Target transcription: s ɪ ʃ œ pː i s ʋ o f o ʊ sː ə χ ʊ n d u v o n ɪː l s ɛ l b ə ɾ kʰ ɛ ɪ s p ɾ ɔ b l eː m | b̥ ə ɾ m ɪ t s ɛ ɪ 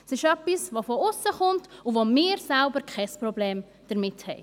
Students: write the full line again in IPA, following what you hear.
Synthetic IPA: s ɪ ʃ œ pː i s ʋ o f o ʊ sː ə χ ʊ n t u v o m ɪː ɾ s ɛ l b ə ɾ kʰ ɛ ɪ s p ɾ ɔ b l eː m | d̥ ə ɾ m ɪ t h ɛ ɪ